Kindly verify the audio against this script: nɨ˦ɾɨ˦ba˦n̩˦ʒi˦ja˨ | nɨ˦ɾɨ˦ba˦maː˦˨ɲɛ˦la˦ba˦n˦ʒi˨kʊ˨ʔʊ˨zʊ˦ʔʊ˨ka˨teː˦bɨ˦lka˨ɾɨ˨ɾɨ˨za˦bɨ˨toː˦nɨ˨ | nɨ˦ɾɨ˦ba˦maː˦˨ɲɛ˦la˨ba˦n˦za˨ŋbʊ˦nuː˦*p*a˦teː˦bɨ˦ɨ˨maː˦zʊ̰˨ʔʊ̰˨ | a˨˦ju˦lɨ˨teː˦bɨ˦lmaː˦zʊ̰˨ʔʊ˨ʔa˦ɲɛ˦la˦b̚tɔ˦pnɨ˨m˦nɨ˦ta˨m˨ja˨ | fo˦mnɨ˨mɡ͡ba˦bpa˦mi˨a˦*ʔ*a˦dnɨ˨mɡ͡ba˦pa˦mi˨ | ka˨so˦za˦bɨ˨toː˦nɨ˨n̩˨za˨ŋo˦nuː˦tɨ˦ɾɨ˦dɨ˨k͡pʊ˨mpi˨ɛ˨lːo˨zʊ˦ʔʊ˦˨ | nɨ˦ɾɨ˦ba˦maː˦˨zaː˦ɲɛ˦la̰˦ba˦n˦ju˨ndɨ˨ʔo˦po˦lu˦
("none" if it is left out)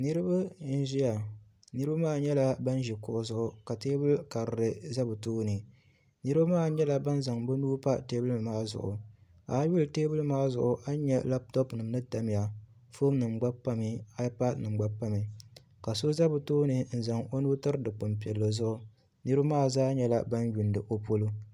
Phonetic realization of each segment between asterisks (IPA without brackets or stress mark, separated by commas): p, p